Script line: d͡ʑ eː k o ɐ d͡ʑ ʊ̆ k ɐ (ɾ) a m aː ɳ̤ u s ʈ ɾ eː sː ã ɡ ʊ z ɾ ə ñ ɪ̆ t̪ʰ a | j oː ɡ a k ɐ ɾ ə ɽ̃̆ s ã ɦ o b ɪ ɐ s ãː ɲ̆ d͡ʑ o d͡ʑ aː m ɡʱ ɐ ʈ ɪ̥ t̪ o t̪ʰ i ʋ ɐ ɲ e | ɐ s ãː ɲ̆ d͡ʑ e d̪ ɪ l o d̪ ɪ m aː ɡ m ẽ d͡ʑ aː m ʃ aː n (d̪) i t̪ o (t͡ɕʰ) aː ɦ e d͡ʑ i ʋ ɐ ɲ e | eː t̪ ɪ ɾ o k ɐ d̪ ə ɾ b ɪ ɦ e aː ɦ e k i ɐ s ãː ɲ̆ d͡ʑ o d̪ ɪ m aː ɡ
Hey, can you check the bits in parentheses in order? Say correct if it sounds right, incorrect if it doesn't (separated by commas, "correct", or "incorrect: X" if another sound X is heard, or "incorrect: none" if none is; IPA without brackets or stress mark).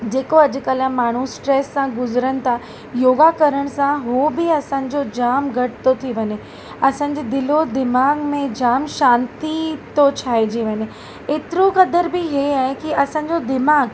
incorrect: l, incorrect: t̪, correct